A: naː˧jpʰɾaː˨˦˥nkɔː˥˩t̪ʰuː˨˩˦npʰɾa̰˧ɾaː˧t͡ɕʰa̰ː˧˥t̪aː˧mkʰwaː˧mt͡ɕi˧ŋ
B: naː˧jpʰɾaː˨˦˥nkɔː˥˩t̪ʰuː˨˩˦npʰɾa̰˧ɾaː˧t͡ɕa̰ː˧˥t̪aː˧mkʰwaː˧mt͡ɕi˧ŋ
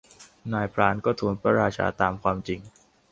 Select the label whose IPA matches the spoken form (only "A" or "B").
A